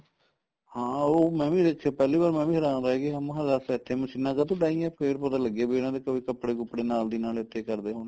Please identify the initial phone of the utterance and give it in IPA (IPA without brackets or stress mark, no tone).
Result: h